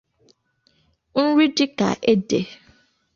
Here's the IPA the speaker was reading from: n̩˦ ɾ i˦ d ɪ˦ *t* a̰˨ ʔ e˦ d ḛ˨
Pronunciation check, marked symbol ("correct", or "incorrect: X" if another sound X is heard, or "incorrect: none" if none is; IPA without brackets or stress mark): incorrect: k